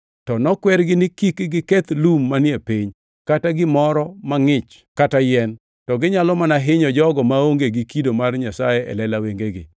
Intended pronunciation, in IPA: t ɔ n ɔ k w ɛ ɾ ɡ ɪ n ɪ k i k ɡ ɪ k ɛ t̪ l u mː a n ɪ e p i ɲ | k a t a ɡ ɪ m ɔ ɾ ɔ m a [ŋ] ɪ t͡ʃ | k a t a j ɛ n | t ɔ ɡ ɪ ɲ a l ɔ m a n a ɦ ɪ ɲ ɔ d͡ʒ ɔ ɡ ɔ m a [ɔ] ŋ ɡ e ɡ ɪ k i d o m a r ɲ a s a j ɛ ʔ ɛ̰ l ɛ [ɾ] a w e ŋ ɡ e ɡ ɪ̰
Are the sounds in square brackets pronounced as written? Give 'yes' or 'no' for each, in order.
yes, no, no

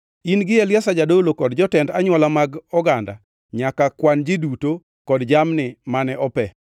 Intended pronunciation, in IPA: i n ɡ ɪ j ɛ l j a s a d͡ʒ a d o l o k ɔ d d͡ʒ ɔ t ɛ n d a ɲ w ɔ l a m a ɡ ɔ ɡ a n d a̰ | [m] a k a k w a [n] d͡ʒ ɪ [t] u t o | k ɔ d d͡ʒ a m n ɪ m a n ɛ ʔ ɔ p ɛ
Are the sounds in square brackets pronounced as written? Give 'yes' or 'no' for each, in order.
no, yes, no

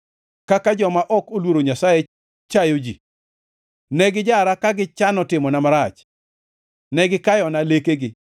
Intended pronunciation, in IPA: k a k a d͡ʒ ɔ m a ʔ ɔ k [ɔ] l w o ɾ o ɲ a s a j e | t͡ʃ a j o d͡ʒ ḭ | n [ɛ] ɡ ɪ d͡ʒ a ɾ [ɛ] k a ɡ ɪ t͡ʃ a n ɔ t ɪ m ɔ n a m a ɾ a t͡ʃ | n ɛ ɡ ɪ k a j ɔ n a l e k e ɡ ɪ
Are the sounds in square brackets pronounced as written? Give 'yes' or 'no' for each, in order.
no, yes, no

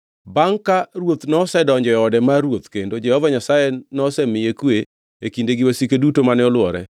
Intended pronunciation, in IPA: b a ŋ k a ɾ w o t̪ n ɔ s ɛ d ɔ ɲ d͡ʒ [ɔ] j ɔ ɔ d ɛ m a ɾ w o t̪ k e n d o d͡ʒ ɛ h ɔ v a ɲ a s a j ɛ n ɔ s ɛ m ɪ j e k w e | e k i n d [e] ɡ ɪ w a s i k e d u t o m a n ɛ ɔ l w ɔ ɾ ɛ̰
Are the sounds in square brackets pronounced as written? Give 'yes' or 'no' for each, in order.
yes, yes

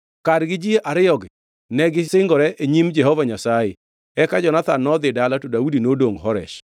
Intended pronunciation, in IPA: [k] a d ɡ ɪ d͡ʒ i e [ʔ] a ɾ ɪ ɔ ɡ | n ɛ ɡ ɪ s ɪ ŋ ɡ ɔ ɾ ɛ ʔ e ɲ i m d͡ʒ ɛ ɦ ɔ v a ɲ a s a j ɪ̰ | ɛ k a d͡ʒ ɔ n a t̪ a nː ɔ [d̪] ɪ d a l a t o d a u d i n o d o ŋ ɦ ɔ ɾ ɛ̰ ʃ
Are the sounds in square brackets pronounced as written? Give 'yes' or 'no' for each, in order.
yes, yes, yes

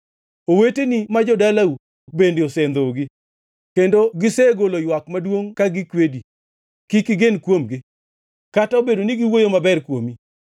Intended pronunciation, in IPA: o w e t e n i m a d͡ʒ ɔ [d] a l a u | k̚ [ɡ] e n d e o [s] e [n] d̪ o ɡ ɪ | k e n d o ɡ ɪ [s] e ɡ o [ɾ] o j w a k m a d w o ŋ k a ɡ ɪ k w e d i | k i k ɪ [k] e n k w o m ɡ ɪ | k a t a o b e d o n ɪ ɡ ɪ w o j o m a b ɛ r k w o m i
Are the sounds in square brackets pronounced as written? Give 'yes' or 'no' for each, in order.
yes, no, yes, yes, yes, no, no

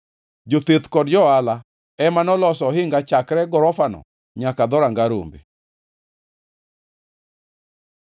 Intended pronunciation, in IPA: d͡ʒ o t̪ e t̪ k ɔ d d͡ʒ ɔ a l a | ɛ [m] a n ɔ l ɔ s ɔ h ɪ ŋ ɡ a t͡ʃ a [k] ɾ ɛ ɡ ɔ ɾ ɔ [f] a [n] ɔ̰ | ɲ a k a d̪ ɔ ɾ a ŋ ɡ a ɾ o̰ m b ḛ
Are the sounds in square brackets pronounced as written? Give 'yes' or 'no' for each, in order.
yes, yes, yes, yes

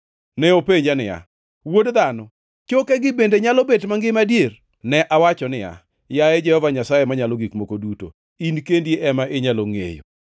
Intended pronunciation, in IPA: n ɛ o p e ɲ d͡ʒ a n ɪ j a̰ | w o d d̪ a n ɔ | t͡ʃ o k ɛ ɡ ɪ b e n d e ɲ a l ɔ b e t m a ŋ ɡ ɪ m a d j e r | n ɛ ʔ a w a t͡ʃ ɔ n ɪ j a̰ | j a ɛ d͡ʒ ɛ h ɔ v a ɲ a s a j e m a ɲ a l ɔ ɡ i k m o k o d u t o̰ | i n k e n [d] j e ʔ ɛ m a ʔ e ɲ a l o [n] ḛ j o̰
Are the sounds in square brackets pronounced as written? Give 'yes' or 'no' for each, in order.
yes, no

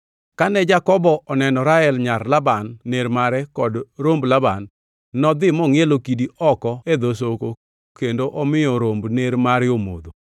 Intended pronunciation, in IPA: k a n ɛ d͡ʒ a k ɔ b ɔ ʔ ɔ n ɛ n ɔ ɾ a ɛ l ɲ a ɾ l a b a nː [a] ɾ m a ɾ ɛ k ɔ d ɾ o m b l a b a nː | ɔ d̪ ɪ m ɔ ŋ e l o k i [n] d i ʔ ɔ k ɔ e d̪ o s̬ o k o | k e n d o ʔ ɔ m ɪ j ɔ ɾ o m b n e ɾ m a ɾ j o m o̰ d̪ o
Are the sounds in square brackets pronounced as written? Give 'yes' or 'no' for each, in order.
no, no

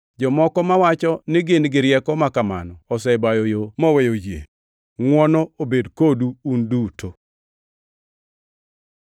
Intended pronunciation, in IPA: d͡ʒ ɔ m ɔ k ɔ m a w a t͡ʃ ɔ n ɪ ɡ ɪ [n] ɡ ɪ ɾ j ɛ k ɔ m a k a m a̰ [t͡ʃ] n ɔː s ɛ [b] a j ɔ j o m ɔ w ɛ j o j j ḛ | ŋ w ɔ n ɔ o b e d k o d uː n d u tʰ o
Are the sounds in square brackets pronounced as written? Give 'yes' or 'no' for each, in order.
yes, no, yes

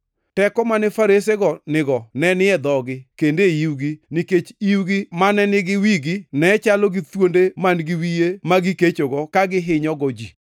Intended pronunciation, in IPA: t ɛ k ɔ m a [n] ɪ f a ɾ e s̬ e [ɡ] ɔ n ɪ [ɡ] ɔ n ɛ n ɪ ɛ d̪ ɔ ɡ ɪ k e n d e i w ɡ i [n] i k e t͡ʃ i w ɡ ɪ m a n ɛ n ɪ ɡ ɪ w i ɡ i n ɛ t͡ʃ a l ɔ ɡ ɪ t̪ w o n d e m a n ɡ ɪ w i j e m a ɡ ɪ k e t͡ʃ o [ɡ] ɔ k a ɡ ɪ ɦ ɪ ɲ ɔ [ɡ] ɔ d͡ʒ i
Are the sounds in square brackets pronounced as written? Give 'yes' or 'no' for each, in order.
yes, yes, yes, yes, yes, yes

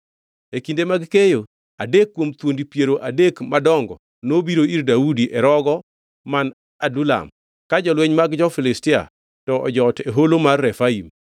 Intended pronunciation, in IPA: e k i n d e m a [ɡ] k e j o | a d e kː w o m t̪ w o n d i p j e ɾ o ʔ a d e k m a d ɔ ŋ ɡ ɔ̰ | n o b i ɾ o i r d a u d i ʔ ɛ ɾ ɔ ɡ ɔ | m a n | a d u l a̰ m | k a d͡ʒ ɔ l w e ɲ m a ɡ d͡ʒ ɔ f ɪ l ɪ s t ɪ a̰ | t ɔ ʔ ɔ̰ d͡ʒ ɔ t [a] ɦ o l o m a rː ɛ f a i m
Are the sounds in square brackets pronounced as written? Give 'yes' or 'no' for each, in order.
yes, no

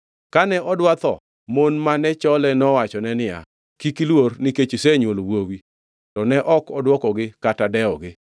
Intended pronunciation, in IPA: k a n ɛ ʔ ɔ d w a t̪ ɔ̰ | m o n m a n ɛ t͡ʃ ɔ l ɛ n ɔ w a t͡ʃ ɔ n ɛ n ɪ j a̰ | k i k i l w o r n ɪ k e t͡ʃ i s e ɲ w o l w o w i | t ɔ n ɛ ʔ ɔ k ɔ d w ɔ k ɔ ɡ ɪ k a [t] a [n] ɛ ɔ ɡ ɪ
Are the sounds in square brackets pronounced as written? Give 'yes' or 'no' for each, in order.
yes, no

